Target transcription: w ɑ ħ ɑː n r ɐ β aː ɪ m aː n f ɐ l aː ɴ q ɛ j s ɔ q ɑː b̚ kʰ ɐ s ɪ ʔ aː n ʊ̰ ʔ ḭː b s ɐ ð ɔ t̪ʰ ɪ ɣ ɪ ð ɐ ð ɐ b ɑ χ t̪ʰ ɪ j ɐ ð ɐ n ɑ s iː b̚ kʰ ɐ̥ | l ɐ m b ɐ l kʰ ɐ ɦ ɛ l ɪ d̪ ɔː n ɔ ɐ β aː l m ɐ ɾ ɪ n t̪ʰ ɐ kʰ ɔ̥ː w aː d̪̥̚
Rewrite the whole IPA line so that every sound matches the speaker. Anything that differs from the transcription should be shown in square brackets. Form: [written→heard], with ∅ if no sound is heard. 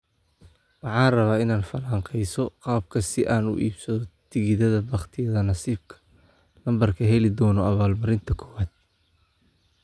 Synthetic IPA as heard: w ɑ ħ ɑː n r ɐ β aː ɪ [m→n] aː n f ɐ l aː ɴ q ɛ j s ɔ q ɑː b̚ kʰ ɐ s ɪ ʔ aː n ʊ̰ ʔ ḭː b s ɐ ð ɔ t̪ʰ ɪ ɣ ɪ ð ɐ ð ɐ b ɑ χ t̪ʰ ɪ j ɐ ð ɐ n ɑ s iː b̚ kʰ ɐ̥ | l ɐ m b ɐ [l→r] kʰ ɐ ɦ ɛ l ɪ d̪ ɔː n ɔ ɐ β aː l m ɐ ɾ ɪ n t̪ʰ ɐ kʰ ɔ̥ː w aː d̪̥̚